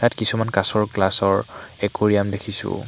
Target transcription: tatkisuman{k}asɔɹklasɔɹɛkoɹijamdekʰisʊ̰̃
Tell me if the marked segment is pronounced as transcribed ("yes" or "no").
yes